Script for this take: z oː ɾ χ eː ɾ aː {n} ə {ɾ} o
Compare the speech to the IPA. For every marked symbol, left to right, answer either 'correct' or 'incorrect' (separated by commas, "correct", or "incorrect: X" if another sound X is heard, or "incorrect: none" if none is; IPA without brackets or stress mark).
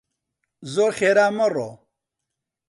incorrect: m, incorrect: r